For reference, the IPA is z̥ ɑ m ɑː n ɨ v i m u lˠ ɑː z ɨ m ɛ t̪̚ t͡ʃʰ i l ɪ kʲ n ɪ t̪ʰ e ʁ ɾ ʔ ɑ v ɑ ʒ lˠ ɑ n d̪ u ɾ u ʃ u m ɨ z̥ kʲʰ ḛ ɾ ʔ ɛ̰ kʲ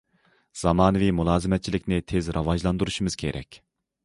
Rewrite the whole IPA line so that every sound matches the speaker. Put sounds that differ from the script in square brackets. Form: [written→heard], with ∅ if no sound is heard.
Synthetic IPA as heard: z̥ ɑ m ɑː n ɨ v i m u lˠ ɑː z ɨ m ɛ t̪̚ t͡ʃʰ i l ɪ kʲ n ɪ t̪ʰ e [ʁ→z] ɾ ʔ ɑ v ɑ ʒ lˠ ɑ n d̪ u ɾ u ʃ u m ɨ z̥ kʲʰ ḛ ɾ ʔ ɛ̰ kʲ